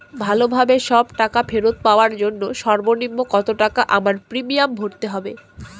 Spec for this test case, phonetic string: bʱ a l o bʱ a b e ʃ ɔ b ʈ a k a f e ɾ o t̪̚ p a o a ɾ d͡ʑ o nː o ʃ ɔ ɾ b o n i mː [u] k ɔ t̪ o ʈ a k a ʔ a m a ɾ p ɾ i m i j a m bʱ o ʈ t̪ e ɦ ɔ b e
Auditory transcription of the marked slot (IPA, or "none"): o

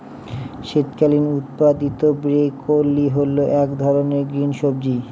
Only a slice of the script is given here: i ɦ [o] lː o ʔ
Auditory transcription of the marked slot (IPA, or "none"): o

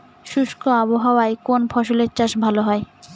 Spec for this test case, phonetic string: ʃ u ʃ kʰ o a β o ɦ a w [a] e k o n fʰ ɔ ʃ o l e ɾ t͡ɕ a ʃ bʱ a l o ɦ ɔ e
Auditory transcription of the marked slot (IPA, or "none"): a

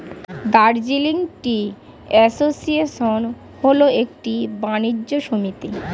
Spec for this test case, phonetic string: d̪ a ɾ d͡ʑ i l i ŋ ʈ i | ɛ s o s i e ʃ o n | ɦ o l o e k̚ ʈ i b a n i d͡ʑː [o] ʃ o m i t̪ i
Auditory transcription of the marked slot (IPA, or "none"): o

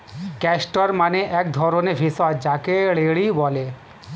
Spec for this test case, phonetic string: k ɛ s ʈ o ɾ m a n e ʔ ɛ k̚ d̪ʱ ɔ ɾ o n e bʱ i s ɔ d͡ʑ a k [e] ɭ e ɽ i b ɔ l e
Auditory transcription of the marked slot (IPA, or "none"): e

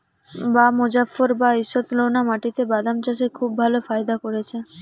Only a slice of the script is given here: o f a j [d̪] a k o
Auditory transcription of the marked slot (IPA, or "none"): d̪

